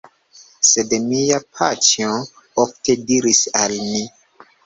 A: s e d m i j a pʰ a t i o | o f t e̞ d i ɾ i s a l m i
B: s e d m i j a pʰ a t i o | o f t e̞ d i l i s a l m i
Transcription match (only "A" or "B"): A